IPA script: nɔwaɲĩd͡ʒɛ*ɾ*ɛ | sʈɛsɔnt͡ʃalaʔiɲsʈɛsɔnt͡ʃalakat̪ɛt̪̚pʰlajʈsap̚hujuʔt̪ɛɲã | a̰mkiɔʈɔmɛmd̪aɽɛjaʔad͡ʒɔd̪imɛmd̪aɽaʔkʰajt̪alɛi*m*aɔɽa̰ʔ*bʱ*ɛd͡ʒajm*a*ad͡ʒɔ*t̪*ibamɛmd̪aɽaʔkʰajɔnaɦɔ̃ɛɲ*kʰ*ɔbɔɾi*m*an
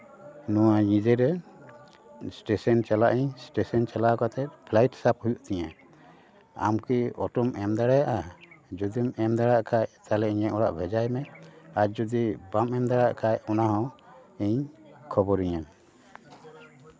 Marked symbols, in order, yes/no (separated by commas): yes, no, yes, no, no, yes, no